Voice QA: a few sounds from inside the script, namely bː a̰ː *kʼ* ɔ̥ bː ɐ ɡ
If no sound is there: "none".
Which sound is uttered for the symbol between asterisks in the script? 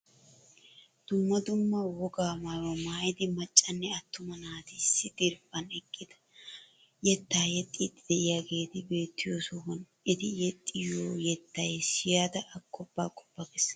kʼ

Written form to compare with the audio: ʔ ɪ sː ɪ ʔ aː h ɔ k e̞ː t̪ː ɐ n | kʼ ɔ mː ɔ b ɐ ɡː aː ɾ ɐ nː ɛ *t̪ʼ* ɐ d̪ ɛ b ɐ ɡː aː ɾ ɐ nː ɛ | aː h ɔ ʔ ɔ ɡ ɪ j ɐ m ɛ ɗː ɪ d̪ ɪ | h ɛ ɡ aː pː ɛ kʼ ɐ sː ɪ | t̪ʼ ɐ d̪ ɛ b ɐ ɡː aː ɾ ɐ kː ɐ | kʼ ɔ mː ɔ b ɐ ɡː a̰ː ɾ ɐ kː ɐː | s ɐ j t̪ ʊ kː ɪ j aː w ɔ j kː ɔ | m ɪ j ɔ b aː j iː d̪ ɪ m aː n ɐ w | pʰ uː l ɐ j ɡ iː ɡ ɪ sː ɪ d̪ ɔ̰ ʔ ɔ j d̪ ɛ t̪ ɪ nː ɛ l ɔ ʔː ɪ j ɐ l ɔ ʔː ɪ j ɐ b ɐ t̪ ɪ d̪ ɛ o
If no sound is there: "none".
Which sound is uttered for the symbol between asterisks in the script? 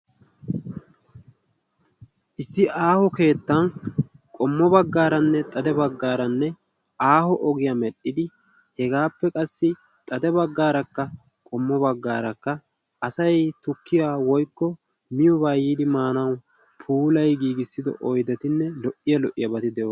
t̪ʼ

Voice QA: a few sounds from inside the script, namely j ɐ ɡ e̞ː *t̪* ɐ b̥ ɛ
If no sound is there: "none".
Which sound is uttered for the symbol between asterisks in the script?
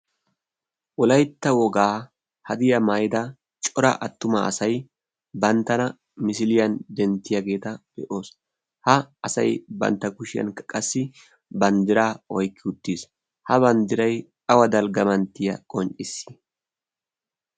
t̪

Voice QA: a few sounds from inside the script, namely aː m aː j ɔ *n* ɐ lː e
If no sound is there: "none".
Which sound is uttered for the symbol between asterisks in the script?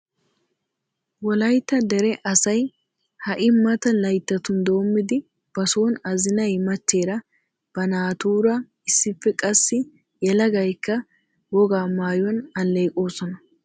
n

